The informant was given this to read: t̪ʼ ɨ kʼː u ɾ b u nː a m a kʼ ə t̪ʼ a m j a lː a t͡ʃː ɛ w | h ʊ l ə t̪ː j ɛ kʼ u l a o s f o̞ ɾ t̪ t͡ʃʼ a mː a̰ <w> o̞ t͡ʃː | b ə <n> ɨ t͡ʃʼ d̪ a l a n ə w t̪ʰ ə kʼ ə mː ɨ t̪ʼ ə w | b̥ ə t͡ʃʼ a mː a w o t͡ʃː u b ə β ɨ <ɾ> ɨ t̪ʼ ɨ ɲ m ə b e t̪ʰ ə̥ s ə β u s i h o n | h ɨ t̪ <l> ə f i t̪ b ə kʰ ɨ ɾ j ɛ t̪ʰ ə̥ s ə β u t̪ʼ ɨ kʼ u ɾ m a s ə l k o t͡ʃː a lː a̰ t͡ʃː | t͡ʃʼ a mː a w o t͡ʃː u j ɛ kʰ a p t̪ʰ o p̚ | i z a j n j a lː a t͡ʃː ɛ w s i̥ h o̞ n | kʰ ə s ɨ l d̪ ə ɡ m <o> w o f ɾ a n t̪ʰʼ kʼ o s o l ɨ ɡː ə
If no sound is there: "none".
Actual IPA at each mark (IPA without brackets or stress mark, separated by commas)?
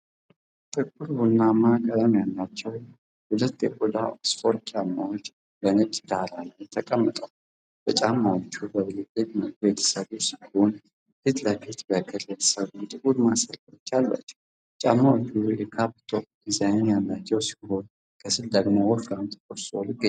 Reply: w, n, l, l, o